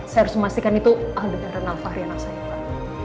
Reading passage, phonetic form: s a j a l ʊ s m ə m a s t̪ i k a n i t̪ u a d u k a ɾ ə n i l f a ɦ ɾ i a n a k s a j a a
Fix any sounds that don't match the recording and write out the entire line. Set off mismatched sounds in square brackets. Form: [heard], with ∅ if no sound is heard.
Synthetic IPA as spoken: s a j a [ɾ] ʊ s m ə m a s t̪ i k a n i t̪ u a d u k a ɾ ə n [a] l f a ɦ ɾ i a n a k s a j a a